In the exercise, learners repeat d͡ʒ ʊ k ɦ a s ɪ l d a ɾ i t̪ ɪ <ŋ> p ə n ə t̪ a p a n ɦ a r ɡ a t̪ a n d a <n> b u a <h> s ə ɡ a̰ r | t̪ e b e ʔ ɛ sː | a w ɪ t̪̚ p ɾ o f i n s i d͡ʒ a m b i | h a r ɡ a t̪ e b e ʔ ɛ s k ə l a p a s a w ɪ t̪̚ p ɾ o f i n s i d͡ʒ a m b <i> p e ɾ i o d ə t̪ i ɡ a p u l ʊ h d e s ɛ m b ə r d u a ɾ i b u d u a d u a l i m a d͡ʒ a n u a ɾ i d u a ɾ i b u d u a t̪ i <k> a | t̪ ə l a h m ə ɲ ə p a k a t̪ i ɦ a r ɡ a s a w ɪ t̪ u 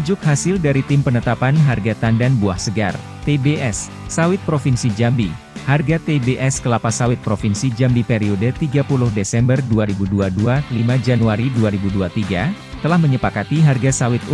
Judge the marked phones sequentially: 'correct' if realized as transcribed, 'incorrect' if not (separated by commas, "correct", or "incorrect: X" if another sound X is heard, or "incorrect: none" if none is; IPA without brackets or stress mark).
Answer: incorrect: m, correct, correct, correct, incorrect: ɡ